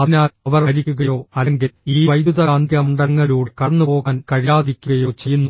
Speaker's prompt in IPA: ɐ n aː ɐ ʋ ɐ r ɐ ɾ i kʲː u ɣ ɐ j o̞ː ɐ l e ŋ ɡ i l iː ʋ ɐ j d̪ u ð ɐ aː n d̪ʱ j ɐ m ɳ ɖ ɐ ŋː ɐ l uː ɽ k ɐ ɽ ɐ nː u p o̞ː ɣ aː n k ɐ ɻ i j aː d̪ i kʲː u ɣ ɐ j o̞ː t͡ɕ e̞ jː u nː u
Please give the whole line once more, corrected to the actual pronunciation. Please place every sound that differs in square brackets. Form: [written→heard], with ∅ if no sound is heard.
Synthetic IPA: ɐ n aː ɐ ʋ ɐ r ɐ ɾ i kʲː u ɣ ɐ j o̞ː ɐ l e ŋ ɡ i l iː ʋ ɐ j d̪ u ð ɐ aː n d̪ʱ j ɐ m ɳ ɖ ɐ ŋː ɐ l uː ɽ k ɐ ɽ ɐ nː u p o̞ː ɣ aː n k ɐ ɻ i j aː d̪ i kʲː u ɣ ɐ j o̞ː t͡ɕ e̞ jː u nː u

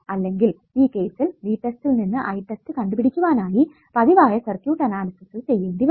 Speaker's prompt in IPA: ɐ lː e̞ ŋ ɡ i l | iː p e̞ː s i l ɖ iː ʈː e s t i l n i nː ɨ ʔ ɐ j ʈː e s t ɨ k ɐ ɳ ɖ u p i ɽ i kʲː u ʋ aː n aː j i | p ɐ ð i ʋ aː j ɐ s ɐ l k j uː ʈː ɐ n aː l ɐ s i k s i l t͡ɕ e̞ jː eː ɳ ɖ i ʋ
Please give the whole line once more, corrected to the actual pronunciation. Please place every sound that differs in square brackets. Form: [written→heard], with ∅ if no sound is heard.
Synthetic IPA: ɐ lː e̞ ŋ ɡ i l | iː [p→k] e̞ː s i l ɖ iː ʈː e s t i l n i nː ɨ ʔ ɐ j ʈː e s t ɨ k ɐ ɳ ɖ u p i ɽ i kʲː u ʋ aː n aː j i | p ɐ ð i ʋ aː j ɐ s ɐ [l→r] k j uː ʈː ɐ n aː l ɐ s i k s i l t͡ɕ e̞ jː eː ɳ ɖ i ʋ

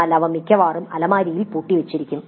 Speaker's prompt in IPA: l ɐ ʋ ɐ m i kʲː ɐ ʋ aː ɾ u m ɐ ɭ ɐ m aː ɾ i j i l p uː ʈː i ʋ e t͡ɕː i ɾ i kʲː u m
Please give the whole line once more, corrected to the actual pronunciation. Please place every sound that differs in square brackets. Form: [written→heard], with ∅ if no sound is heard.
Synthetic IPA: l ɐ ʋ ɐ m i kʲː ɐ ʋ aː [ɾ→r] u m ɐ [ɭ→l] ɐ m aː ɾ i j i l p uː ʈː i ʋ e t͡ɕː i ɾ i kʲː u m

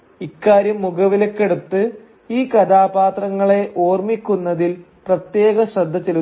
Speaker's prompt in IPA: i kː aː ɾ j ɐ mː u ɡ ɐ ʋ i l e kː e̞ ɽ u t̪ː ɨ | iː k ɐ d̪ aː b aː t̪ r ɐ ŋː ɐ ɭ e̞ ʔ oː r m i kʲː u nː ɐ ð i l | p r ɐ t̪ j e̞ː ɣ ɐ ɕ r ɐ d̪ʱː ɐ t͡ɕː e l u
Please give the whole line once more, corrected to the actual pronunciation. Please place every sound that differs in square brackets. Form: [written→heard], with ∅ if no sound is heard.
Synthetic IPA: i kː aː ɾ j ɐ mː u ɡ ɐ ʋ i l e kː e̞ ɽ u t̪ː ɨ | iː k ɐ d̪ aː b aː t̪ r ɐ ŋː ɐ ɭ e̞ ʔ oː r m i kʲː u nː ɐ ð i l | p r ɐ t̪ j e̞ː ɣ ɐ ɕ r ɐ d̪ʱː ɐ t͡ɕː e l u

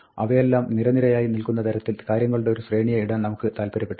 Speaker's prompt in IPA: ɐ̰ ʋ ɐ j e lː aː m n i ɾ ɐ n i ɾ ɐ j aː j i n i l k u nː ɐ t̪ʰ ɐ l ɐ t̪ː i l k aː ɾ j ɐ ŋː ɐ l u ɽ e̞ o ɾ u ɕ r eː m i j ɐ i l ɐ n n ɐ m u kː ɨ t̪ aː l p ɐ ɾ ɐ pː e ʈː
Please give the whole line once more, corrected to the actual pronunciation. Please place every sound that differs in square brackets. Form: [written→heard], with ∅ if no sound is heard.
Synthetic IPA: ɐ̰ ʋ ɐ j e lː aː m n i ɾ ɐ n i ɾ ɐ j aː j i n i l k u nː ɐ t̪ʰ ɐ [l→ɾ] ɐ t̪ː i l k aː ɾ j ɐ ŋː ɐ [l→ɭ] u ɽ e̞ o ɾ u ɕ r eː [m→ɳ] i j ɐ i [l→ɽ] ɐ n n ɐ m u kː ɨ t̪ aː l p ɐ ɾ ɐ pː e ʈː

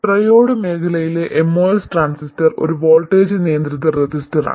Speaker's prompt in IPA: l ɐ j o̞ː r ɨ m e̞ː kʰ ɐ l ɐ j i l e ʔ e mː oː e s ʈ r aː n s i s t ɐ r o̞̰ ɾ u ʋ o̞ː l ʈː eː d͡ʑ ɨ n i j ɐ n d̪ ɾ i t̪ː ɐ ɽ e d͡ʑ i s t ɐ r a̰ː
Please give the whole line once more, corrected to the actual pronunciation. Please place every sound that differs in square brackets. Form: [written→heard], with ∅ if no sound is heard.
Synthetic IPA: [l→r] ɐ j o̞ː [r→ɽ] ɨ m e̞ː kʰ ɐ l ɐ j i l e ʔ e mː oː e s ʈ r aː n s i s t ɐ r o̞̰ ɾ u ʋ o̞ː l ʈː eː d͡ʑ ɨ n i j ɐ n d̪ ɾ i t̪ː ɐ [ɽ→r] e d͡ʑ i s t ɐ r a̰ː

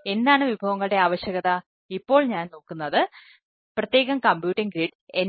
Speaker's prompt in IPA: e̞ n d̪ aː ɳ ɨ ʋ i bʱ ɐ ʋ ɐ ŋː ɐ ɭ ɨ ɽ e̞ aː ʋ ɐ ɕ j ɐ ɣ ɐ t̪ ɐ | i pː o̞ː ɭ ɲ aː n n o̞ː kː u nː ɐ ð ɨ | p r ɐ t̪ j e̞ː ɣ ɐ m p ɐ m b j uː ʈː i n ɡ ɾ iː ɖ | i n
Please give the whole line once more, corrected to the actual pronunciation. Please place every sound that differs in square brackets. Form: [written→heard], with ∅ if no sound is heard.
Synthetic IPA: e̞ n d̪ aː ɳ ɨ ʋ i bʱ ɐ ʋ ɐ ŋː ɐ ɭ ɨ ɽ e̞ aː ʋ ɐ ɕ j ɐ ɣ ɐ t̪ ɐ | i pː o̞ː ɭ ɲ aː n n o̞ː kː u nː ɐ ð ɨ | p r ɐ t̪ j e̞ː ɣ ɐ m [p→k] ɐ m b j uː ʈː i [n→ŋ] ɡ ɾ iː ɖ | [i→e] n

